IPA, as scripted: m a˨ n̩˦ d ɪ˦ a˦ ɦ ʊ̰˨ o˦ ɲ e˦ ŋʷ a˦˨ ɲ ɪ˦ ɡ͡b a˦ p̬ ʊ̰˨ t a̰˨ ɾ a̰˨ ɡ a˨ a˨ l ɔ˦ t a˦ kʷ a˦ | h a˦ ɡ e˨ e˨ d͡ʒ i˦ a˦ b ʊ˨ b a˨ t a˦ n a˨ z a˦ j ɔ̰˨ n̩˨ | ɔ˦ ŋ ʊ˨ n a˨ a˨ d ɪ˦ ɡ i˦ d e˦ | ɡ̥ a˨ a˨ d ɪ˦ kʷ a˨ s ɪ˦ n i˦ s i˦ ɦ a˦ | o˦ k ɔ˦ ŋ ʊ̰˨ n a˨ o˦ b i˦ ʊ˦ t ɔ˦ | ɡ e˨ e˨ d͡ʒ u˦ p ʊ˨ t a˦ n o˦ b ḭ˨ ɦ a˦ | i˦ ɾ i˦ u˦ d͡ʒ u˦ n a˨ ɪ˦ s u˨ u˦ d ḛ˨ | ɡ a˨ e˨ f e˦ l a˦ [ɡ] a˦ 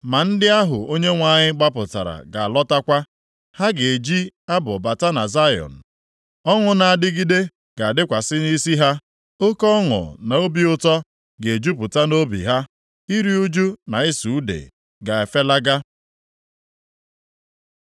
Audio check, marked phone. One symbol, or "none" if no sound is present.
ɡ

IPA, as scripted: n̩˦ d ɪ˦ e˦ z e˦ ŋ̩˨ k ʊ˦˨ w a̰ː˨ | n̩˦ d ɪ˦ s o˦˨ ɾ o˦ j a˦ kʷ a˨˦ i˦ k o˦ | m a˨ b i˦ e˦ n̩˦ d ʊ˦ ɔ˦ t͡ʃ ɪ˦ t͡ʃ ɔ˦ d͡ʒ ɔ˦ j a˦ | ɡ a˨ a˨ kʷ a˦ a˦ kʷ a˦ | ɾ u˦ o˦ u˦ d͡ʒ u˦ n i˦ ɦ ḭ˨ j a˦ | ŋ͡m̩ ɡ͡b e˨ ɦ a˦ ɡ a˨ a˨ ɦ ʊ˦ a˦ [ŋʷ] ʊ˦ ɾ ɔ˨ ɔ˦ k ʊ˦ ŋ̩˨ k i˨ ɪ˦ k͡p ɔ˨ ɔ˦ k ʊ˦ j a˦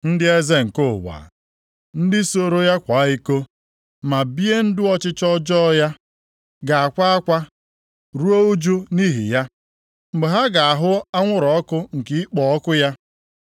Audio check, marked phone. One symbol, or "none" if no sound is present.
ŋʷ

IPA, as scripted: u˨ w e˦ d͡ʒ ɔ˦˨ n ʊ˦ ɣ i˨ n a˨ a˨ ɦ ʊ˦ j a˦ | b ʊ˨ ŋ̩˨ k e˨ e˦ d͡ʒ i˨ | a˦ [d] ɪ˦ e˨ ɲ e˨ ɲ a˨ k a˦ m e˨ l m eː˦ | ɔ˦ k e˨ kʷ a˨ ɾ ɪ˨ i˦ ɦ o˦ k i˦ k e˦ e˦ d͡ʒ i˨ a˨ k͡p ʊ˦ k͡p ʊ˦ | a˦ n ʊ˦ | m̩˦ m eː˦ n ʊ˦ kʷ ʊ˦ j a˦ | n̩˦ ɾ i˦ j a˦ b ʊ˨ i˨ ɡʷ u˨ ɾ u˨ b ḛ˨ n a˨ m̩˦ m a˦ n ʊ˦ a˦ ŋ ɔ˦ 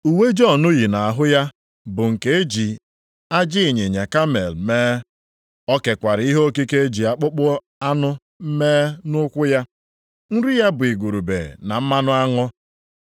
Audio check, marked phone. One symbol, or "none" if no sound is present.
d͡ʒ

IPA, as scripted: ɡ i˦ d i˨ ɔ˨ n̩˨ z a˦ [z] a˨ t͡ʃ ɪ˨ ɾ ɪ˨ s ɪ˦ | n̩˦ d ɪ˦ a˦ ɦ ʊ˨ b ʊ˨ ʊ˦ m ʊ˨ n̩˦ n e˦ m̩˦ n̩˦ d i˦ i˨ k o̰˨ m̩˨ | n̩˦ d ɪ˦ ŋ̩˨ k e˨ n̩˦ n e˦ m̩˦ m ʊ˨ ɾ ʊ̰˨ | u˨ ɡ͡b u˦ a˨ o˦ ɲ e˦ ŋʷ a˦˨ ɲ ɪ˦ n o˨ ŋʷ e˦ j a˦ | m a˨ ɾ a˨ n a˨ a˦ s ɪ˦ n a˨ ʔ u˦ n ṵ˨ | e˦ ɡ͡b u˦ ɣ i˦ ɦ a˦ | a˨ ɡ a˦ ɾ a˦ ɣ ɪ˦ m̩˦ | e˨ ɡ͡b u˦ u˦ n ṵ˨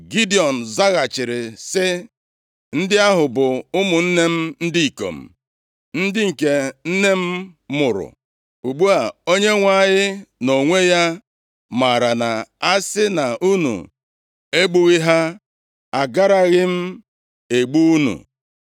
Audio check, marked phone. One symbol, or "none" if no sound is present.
ɣ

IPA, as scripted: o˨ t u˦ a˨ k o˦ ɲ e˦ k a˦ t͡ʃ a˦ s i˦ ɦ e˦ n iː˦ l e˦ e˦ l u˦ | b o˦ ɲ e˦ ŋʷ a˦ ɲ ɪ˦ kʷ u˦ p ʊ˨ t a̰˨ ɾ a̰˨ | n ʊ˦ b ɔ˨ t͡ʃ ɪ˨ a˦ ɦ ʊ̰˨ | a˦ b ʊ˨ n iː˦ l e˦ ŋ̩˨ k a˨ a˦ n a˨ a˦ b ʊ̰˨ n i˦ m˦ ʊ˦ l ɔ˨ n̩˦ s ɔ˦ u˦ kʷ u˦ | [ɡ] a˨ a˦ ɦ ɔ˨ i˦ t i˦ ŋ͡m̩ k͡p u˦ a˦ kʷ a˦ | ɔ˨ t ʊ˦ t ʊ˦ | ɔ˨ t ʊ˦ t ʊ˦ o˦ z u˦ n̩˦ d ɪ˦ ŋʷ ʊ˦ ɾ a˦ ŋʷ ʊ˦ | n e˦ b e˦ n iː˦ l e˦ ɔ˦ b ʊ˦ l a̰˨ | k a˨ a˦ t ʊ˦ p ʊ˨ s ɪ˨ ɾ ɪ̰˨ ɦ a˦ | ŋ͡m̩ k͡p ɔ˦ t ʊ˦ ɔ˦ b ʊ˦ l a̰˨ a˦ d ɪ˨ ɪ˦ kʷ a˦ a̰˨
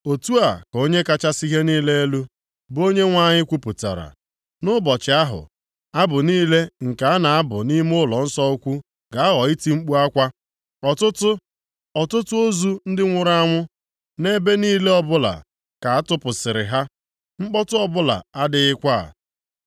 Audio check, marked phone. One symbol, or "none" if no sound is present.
ɡ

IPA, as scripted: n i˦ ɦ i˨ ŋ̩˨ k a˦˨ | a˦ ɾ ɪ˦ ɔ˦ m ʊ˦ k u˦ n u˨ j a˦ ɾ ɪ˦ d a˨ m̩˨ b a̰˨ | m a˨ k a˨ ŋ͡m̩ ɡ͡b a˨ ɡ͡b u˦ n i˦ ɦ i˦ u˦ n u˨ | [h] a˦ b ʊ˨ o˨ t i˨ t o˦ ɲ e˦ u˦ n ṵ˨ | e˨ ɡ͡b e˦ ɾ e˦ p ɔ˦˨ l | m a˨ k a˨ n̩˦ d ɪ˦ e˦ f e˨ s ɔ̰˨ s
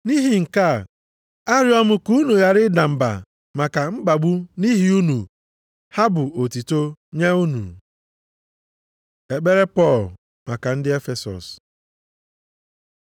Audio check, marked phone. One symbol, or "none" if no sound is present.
h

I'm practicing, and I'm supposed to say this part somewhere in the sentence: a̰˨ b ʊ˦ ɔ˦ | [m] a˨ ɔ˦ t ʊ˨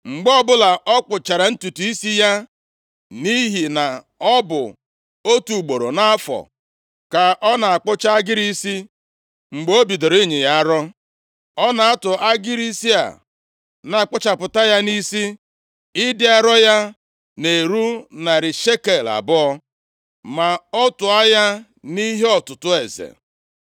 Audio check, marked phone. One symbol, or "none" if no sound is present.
m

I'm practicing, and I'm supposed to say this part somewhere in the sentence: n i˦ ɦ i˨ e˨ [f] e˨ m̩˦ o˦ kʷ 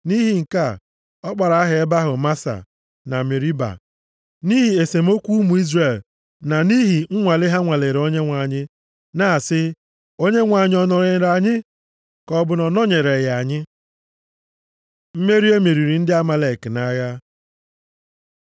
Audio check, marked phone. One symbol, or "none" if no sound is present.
s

